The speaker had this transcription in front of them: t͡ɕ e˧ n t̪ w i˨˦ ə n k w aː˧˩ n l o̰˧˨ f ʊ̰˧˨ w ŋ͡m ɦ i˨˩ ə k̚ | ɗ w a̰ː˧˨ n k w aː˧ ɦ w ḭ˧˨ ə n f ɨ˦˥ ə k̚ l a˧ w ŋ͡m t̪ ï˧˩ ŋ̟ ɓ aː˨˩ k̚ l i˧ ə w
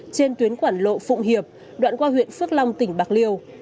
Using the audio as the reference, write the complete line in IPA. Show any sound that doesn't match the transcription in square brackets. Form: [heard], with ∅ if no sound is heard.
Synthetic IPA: t͡ɕ e˧ n t̪ w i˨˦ ə n k w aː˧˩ n l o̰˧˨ f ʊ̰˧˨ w ŋ͡m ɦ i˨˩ ə [p̚] | ɗ w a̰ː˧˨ n k w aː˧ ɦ w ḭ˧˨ ə n f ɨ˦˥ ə k̚ l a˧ w ŋ͡m t̪ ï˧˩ ŋ̟ ɓ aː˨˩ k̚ l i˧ ə w